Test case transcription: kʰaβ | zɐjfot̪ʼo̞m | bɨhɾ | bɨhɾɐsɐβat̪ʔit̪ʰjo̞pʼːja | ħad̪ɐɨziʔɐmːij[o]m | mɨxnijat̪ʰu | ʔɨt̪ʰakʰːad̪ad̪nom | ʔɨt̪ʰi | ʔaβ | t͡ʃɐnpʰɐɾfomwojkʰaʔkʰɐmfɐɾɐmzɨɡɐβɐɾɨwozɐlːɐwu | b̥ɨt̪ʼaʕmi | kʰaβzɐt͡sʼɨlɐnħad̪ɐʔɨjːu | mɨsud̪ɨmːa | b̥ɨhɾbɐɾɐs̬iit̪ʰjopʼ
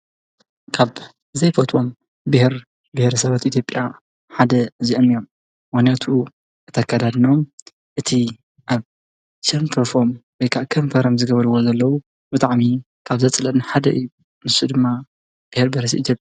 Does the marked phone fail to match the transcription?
no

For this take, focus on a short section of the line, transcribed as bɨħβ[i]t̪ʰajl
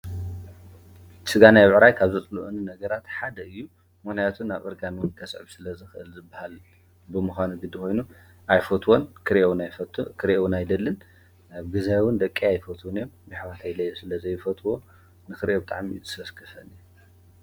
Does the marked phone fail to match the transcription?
yes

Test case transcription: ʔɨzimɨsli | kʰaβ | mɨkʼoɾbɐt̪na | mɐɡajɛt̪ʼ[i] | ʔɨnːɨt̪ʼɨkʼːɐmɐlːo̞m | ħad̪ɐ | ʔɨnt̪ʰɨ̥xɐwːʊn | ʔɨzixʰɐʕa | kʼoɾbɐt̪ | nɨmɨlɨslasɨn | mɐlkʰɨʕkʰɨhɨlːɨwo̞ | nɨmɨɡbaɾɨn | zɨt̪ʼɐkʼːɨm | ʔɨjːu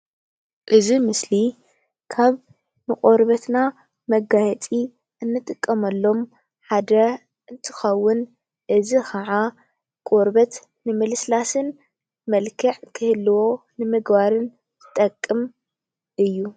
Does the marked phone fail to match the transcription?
no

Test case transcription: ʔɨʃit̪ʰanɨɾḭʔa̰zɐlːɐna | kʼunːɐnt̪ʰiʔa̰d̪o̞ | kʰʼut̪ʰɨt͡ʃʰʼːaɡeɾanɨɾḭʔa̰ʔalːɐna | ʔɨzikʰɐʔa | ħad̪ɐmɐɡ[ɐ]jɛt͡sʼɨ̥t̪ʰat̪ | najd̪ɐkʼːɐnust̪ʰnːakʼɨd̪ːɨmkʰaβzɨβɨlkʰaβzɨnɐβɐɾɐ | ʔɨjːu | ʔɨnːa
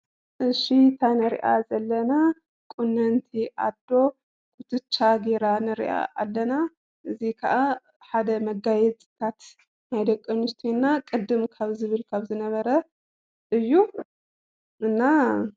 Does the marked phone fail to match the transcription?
yes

